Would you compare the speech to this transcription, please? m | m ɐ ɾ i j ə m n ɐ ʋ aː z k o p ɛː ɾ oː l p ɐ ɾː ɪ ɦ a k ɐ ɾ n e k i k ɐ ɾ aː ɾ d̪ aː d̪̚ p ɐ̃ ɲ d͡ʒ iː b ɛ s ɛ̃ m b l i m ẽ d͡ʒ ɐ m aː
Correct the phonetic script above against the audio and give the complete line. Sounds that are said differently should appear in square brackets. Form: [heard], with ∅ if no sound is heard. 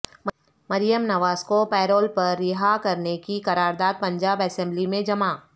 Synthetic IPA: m | m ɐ ɾ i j ə m n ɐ ʋ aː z k o p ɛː ɾ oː l p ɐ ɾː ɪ ɦ a k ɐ ɾ n e k i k ɐ ɾ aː ɾ d̪ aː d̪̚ p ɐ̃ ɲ d͡ʒ [aː] b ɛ s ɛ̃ m b l i m ẽ d͡ʒ ɐ m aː